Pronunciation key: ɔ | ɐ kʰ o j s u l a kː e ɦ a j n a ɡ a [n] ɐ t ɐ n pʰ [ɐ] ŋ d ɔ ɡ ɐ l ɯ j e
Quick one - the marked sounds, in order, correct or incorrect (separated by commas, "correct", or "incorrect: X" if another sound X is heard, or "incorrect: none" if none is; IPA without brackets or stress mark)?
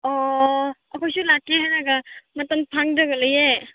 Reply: incorrect: m, incorrect: a